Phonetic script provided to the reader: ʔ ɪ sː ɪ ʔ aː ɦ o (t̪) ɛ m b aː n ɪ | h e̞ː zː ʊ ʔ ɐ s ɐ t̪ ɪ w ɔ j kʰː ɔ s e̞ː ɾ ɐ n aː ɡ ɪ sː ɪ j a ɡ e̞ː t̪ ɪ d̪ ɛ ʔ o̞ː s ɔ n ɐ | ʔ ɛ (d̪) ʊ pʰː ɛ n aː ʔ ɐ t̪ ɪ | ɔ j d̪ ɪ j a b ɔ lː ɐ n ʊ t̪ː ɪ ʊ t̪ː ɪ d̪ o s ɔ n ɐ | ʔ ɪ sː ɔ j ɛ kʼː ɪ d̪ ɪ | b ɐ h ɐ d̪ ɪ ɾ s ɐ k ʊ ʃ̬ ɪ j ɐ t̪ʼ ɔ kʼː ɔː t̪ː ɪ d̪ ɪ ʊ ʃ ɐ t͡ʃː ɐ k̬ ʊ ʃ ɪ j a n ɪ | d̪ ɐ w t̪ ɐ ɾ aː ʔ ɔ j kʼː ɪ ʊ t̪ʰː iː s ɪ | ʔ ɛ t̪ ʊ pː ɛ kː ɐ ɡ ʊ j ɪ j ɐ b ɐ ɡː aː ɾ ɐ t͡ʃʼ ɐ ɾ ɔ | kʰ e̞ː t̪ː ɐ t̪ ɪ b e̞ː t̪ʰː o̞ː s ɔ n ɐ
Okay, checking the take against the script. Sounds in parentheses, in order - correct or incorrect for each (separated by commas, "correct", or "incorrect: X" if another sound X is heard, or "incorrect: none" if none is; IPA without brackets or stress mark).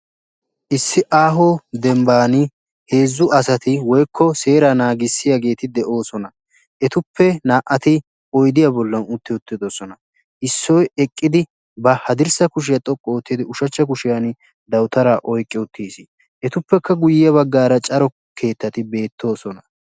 incorrect: d̪, incorrect: t̪